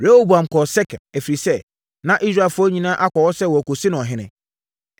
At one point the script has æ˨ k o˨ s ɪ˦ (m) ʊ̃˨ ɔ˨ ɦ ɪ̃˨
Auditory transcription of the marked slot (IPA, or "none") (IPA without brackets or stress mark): n